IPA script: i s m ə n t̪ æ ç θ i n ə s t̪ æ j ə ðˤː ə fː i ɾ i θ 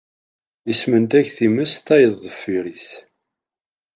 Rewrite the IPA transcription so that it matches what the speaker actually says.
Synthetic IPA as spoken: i s m ə n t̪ æ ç θ i m ə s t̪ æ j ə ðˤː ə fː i ɾ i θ